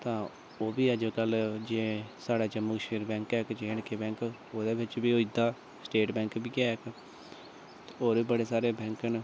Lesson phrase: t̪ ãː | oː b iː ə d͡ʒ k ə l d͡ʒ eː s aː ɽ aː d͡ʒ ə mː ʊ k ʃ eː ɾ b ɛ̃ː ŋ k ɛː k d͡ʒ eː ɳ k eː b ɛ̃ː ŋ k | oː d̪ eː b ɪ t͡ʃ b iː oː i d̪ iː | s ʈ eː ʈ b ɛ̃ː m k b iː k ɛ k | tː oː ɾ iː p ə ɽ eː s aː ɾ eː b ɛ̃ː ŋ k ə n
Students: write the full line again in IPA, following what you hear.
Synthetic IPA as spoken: t̪ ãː | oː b iː ə d͡ʒ k ə l d͡ʒ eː s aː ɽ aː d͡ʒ ə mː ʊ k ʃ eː ɾ b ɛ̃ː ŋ k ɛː k d͡ʒ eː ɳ k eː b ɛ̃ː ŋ k | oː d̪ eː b ɪ t͡ʃ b iː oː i d̪ aː | s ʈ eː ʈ b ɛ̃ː ŋ k b iː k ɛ k | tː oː ɾ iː b ə ɽ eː s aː ɾ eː b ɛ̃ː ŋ k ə n